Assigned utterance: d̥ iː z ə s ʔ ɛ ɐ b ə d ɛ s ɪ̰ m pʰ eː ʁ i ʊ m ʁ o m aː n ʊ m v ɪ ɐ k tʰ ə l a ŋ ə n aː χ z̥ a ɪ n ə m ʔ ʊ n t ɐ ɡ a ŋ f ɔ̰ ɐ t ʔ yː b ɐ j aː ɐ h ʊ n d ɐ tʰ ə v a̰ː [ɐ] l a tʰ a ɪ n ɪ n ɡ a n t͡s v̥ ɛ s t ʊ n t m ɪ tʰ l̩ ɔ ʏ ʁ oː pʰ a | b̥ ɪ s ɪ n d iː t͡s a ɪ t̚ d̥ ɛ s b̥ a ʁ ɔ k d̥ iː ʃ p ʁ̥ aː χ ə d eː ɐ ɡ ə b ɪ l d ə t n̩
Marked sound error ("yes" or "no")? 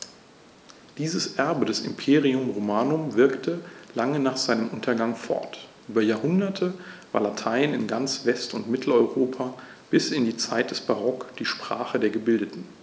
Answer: no